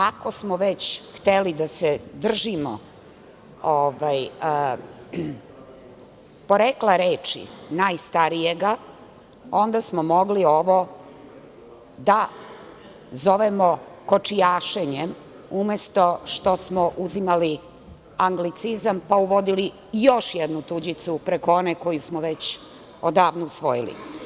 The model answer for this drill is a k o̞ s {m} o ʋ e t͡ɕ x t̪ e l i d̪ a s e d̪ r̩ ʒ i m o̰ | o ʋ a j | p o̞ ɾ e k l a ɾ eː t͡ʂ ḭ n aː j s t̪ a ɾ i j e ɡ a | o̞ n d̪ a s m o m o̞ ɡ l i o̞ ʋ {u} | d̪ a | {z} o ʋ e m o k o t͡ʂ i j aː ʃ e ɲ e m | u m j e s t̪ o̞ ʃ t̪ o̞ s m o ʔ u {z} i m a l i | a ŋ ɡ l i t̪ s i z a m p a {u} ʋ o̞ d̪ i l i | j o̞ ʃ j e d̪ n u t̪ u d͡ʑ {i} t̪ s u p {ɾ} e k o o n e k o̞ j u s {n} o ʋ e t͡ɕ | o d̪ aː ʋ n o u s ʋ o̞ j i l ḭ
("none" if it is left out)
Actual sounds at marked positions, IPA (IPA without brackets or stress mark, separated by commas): m, o, z, z, u, i, ɾ, m